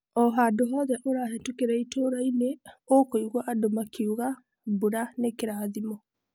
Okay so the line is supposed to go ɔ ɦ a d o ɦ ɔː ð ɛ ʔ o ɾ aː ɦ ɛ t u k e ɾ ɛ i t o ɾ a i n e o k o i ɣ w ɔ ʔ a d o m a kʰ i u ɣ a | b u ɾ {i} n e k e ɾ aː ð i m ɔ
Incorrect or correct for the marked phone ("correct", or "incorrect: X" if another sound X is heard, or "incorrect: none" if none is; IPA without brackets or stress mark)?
incorrect: a